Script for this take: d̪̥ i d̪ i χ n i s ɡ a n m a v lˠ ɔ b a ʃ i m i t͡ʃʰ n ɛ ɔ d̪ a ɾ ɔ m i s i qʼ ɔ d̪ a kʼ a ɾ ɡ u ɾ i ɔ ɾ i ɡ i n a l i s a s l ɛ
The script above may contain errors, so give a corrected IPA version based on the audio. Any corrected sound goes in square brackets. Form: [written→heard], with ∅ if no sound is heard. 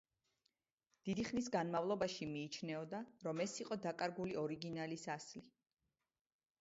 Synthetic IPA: d̪̥ i d̪ i χ n i s ɡ a n m a v lˠ ɔ b a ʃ i m [i→iː] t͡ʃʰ n ɛ ɔ d̪ a ɾ ɔ m [i→ɛ] s i qʼ ɔ d̪ a kʼ a ɾ ɡ u [ɾ→l] i ɔ ɾ i ɡ i n a l i s a s l [ɛ→i]